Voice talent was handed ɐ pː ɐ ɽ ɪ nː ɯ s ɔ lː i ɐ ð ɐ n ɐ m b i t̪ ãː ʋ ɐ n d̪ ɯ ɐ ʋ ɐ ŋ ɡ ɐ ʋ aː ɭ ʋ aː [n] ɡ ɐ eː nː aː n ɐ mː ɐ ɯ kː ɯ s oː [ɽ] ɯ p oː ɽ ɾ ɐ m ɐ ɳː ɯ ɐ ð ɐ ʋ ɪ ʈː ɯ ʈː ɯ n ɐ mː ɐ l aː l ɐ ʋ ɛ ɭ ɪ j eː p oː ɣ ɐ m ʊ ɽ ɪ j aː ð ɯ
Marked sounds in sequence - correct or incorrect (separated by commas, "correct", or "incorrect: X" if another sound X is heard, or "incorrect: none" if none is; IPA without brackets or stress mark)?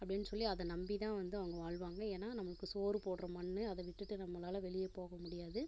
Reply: incorrect: ŋ, incorrect: ɾ